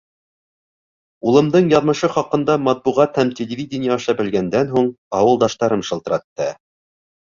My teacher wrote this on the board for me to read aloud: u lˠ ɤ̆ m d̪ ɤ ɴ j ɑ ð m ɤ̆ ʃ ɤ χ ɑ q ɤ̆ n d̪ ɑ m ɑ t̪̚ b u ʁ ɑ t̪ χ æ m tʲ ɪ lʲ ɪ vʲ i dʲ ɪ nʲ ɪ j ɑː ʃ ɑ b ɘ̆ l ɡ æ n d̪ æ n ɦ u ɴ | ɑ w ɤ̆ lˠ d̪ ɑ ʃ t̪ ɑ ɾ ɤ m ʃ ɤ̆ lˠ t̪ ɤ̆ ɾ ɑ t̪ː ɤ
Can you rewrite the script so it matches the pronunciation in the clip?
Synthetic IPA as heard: u lˠ ɤ̆ m d̪ ɤ ɴ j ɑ ð m ɤ̆ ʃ ɤ χ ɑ q ɤ̆ n d̪ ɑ m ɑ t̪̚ b u ʁ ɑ t̪ h æ m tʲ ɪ lʲ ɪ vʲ i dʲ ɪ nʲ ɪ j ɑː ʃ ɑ b ɘ̆ l ɡ æ n d̪ æ n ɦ u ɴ | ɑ w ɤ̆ lˠ d̪ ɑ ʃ t̪ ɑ ɾ ɤ m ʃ ɤ̆ lˠ t̪ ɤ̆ ɾ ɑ t̪ː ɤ